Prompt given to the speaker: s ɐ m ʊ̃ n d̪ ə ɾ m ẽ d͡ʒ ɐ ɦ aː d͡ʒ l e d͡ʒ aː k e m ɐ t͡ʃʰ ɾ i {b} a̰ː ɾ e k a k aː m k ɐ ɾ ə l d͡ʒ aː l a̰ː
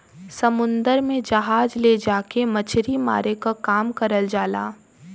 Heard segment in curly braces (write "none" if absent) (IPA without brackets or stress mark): m